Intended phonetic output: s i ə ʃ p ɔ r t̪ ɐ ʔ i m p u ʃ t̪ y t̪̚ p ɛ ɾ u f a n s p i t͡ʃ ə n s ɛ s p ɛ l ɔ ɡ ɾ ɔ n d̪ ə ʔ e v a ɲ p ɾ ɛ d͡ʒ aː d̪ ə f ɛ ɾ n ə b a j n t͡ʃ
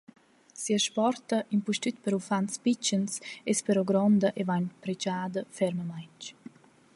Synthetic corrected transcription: s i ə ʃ p ɔ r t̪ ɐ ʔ i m p u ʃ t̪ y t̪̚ p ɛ ɾ u f a n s p i t͡ʃ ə n s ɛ s p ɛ ɾ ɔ ɡ ɾ ɔ n d̪ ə ʔ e v a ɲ p ɾ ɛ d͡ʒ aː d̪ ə f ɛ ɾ m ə m a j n t͡ʃ